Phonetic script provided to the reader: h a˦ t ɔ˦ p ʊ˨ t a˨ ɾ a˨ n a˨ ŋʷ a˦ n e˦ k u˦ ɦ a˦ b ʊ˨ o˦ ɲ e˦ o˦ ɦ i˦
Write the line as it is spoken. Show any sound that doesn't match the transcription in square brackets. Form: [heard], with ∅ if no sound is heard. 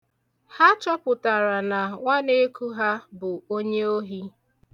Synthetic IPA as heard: h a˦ [t͡ʃ] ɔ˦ p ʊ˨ t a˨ ɾ a˨ n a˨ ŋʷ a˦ n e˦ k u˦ ɦ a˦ b ʊ˨ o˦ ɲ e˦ o˦ ɦ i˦